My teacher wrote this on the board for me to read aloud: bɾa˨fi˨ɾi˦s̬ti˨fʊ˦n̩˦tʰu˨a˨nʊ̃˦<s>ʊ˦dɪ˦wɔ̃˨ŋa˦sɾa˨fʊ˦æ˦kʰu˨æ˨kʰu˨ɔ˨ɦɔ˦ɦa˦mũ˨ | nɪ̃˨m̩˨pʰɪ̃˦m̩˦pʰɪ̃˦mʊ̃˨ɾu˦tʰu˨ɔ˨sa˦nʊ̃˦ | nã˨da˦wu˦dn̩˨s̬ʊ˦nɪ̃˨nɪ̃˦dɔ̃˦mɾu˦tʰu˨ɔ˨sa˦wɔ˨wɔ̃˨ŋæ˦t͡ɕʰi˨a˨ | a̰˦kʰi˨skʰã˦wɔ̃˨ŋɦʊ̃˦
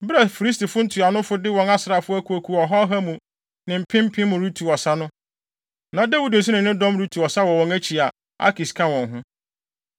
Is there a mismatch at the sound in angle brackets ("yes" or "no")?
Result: yes